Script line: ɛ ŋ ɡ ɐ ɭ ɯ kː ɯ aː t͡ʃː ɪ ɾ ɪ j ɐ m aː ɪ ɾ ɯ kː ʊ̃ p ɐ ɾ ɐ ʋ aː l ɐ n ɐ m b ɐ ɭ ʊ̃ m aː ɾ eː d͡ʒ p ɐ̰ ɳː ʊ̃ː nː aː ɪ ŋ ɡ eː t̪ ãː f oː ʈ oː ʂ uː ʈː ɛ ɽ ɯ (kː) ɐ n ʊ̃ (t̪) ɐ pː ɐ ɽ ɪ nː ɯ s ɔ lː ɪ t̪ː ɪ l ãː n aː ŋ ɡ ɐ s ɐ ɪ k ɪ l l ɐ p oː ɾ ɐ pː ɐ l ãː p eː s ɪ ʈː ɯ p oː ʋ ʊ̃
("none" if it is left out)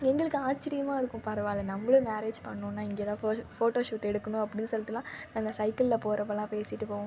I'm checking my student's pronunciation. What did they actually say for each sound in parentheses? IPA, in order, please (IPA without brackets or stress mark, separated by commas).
kː, none